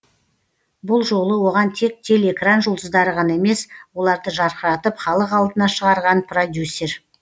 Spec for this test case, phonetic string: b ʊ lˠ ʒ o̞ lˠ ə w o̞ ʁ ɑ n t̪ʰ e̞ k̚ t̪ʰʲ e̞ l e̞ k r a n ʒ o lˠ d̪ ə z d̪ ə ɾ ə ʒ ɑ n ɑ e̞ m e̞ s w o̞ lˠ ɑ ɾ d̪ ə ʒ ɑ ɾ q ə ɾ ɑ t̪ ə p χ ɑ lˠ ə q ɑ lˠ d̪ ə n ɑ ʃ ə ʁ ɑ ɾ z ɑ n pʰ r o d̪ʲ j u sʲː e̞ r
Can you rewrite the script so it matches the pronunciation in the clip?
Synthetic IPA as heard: b ʊ lˠ ʒ o̞ lˠ ə w o̞ ʁ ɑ n t̪ʰ e̞ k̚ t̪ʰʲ e̞ l e̞ k r a n ʒ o lˠ d̪ ə z d̪ ɑ ɾ ə ʁ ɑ n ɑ e̞ m e̞ s w o̞ lˠ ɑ ɾ d̪ ə ʒ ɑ ɾ q ə ɾ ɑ t̪ ə p χ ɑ lˠ ə q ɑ lˠ d̪ ə n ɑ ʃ ə ʁ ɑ ɾ ʁ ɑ n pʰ r o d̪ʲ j u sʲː e̞ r